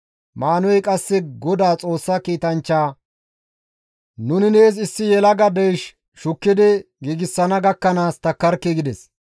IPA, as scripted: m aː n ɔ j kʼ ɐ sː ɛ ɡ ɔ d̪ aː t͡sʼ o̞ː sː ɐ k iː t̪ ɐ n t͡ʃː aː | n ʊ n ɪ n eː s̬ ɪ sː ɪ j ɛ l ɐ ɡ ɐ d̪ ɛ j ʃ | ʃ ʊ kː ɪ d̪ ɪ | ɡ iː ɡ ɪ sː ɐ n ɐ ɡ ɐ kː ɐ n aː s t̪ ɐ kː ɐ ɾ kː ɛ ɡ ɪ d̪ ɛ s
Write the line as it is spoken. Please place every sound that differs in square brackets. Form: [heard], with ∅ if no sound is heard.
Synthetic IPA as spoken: m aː n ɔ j kʼ ɐ sː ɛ ɡ ɔ d̪ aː t͡sʼ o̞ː sː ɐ k iː t̪ ɐ n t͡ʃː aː | n ʊ n ɪ n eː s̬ ɪ sː ɪ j ɛ l ɐ ɡ ɐ d̪ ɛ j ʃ | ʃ ʊ kː ɪ d̪ ɪ | ɡ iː ɡ ɪ sː ɐ n ɐ ɡ ɐ kː ɐ n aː s t̪ ɐ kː ɐ ɾ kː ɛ ɡ ɪ d̪ ɛ s